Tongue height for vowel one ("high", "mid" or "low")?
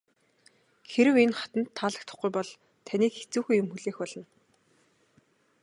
mid